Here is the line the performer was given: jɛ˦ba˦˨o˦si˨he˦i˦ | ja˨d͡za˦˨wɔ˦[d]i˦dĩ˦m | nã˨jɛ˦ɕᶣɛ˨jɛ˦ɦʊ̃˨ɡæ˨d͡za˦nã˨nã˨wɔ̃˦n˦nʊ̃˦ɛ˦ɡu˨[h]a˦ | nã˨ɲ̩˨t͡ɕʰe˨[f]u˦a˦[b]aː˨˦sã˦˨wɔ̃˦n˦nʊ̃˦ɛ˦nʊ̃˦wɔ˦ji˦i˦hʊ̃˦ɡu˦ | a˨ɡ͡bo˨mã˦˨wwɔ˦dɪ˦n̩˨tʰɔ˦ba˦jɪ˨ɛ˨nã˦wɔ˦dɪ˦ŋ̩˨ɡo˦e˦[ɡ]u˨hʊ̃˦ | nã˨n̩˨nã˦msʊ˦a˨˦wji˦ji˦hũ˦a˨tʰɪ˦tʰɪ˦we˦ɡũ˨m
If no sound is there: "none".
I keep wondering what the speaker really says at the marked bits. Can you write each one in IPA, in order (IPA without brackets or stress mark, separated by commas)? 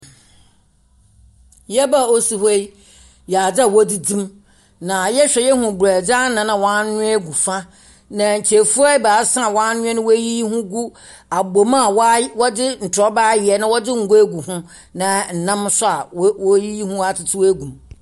d, f, f, b, ɡ